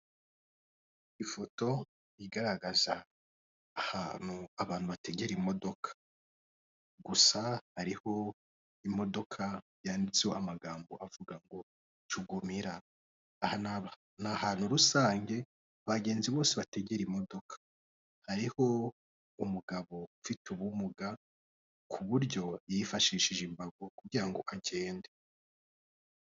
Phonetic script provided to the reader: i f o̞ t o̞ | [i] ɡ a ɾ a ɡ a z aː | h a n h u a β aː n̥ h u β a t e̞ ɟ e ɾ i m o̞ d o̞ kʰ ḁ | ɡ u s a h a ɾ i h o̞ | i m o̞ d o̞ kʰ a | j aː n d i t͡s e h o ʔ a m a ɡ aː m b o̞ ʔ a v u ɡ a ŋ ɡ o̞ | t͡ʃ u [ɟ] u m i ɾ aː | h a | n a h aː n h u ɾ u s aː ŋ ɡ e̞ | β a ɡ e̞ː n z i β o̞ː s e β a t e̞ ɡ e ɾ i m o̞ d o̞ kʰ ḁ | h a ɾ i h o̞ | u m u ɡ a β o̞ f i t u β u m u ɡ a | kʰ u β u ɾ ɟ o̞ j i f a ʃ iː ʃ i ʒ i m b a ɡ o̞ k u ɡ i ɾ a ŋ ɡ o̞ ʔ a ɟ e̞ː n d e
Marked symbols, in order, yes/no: yes, no

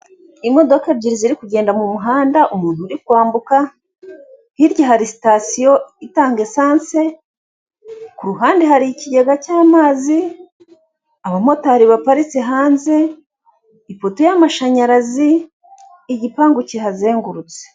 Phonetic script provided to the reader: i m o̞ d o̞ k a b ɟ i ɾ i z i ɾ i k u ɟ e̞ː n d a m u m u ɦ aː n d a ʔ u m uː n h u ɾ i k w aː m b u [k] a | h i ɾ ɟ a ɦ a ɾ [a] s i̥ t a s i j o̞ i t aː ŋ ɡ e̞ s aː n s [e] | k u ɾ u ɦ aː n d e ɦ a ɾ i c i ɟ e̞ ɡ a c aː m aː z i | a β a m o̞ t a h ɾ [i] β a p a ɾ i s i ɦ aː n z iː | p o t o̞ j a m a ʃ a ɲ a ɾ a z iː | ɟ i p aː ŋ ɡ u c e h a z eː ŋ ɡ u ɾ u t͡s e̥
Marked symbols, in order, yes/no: yes, no, yes, yes

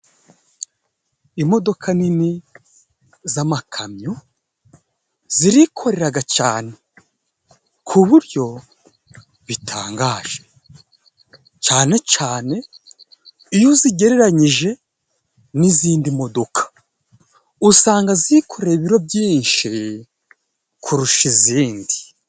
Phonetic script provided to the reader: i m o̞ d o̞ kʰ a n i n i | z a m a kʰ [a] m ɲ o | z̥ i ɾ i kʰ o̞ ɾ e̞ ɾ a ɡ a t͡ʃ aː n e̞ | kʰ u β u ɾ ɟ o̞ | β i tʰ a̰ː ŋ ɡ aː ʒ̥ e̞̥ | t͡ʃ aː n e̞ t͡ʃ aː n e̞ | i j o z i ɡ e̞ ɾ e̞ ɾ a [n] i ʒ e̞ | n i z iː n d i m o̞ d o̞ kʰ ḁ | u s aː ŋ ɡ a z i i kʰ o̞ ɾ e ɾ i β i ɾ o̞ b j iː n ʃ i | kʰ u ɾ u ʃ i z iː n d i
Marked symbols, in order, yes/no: yes, no

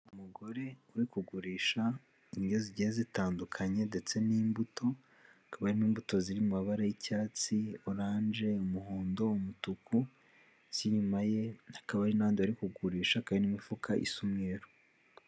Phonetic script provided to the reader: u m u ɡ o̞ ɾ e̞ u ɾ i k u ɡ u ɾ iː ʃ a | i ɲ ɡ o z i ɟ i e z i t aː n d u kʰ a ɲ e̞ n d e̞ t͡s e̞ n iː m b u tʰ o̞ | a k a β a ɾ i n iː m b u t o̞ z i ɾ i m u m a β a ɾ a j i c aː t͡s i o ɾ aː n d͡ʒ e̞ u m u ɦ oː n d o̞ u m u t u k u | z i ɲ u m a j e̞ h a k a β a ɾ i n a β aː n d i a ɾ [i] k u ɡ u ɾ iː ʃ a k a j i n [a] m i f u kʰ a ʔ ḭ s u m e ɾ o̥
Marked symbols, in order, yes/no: yes, no

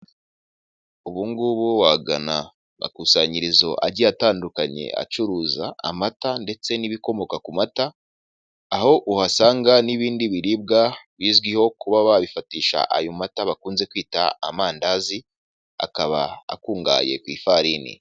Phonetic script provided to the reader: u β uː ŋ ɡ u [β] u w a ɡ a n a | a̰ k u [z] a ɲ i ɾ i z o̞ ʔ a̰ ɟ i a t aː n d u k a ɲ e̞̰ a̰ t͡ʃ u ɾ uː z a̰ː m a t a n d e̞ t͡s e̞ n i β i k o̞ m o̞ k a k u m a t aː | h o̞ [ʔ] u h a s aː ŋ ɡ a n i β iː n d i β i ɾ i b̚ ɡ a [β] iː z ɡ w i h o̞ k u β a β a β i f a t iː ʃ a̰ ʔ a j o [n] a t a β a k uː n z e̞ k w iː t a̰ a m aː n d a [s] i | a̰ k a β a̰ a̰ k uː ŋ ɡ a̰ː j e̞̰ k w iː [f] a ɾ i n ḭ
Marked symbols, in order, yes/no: yes, no, yes, yes, no, no, yes

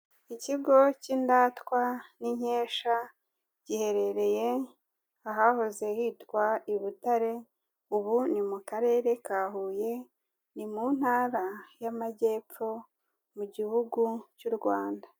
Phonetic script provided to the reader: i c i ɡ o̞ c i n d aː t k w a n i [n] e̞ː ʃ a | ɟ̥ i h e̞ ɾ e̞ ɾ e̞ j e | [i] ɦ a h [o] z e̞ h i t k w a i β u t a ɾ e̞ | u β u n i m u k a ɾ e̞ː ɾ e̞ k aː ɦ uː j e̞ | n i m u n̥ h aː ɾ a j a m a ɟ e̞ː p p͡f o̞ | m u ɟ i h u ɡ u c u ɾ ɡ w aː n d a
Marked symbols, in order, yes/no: no, no, yes

